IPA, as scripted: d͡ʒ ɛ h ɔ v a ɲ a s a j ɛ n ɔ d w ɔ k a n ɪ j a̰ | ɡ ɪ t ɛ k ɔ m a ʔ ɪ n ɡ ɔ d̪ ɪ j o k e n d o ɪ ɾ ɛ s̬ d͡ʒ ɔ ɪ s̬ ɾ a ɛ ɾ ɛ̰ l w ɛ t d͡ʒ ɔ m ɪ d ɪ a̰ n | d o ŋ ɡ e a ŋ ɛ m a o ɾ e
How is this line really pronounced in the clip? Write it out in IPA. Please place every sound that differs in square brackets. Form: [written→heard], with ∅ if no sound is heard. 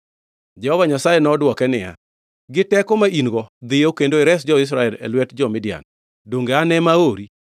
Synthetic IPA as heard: d͡ʒ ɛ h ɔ v a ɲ a s a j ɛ n ɔ d w ɔ k [a→ɛ] n ɪ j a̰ | ɡ ɪ t ɛ k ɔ m a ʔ [ɪ→i] n ɡ ɔ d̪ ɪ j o k e n d o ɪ ɾ ɛ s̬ d͡ʒ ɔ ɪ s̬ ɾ a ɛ [ɾ→l] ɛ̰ l w ɛ t d͡ʒ ɔ m ɪ d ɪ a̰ n | d o ŋ ɡ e a [ŋ→n] ɛ m a o ɾ [e→i]